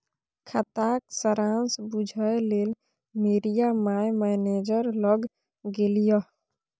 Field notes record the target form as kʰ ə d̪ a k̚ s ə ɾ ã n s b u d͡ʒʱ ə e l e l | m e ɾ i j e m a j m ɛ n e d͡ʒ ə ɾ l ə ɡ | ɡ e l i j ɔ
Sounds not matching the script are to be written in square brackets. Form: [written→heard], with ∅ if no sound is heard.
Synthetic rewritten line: kʰ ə [d̪→t̪] a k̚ s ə ɾ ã n s b u d͡ʒʱ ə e l e l | m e ɾ i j [e→a] m a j m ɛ n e d͡ʒ ə ɾ l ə ɡ | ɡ e l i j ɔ